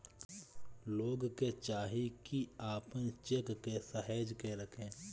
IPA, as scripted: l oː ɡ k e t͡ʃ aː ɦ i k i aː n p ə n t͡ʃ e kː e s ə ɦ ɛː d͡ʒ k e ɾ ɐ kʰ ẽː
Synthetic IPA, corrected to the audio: l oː ɡ k e t͡ʃ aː ɦ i k i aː p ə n t͡ʃ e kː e s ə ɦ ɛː d͡ʒ k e ɾ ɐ kʰ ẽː